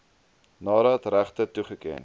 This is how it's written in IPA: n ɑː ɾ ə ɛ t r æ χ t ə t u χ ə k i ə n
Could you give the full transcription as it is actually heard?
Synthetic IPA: n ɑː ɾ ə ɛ t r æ χ t ə t u χ ə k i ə n